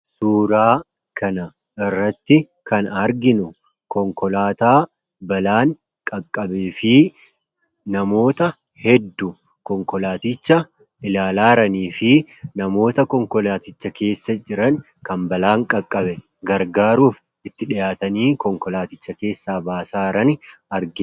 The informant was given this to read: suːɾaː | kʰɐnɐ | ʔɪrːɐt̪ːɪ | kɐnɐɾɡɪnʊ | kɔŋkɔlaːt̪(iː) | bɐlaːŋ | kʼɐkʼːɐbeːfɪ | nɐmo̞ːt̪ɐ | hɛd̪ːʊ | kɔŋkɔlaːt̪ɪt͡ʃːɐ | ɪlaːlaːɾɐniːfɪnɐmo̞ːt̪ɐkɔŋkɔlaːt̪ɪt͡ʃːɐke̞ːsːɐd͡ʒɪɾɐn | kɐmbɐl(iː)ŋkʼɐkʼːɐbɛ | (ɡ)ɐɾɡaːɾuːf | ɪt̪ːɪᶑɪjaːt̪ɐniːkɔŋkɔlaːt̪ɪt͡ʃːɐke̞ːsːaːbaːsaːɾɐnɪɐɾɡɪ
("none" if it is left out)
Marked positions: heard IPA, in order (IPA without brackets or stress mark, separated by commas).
aː, aː, ɡ